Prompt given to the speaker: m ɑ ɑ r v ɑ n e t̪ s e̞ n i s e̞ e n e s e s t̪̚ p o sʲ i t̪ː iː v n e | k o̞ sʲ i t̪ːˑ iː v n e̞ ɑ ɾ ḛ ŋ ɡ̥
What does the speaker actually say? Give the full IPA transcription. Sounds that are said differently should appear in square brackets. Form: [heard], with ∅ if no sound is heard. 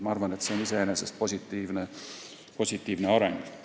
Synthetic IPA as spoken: m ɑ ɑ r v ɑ n e t̪ s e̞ n i s e̞ e n e s e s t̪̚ p o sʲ i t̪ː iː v n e | [p] o̞ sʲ i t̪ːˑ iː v n e̞ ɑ ɾ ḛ ŋ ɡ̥